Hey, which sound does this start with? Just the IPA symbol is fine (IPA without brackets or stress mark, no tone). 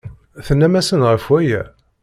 θ